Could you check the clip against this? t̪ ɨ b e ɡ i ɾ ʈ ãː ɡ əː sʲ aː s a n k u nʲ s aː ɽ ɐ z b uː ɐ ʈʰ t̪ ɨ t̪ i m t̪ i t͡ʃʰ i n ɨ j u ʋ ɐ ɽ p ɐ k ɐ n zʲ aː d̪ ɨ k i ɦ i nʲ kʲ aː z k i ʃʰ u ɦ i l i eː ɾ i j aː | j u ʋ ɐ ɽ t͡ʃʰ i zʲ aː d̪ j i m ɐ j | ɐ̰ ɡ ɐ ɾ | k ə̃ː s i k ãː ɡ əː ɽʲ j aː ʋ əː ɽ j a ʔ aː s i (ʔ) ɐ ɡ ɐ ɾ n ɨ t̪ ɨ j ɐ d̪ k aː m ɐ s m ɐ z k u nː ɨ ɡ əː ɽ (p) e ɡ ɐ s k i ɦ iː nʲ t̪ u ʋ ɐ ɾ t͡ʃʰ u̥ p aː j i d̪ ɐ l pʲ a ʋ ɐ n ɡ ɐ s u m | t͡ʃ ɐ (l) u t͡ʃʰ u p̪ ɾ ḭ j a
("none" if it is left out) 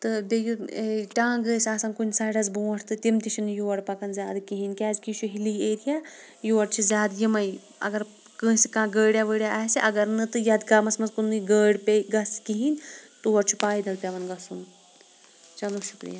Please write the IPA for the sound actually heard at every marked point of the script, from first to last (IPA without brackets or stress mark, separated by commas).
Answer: ʔ, p, l